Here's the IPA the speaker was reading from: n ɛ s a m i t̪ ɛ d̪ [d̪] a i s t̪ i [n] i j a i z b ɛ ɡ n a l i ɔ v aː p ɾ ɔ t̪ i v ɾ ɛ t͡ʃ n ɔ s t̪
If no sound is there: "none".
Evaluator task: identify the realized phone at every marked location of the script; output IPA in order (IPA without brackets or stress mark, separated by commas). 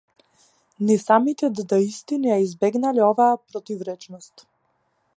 d̪, n